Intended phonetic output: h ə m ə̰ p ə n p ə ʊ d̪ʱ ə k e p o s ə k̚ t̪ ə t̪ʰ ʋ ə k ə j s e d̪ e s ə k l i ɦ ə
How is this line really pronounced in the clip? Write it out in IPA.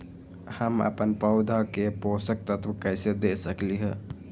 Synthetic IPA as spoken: h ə m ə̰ p ə n p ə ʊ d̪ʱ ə k e p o s ə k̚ t̪ ə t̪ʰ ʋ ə k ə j s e d̪ e s ə k l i ɦ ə